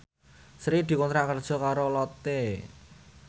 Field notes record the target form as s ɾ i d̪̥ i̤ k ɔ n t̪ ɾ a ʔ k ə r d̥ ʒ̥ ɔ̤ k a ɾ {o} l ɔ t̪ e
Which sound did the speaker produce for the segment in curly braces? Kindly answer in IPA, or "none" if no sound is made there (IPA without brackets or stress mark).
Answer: o